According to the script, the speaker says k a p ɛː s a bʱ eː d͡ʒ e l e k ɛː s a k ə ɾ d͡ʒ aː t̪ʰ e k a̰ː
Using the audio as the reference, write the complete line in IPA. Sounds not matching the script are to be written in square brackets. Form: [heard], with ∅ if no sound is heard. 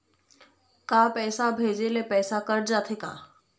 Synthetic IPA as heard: k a p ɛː s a bʱ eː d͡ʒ e l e [p] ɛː s a k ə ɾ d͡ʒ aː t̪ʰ e k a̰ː